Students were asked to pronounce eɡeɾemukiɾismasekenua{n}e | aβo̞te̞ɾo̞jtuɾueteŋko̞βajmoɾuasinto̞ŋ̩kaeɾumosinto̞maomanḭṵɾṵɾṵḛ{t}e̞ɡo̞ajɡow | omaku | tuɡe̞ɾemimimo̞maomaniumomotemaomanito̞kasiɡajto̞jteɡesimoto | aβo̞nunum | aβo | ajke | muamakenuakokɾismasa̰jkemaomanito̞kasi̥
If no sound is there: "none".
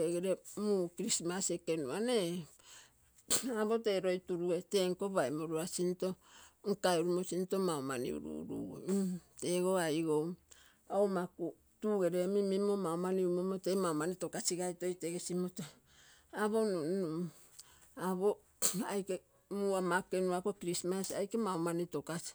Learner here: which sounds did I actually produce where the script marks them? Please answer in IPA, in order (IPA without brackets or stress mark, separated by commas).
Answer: n, t